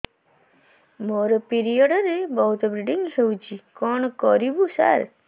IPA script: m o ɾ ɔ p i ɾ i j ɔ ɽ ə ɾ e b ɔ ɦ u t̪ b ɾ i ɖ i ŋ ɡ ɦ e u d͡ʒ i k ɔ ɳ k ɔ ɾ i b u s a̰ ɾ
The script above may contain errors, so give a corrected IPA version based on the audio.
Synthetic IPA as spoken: m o ɾ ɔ p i ɾ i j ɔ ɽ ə ɾ e b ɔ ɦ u t̪ b ɾ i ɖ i ŋ ɡ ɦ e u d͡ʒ i k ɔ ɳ k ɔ ɾ i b u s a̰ ɾ